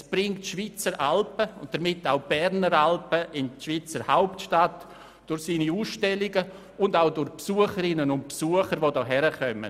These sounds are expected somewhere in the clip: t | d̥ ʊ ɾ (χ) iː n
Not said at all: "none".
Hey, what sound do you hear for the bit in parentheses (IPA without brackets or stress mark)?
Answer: s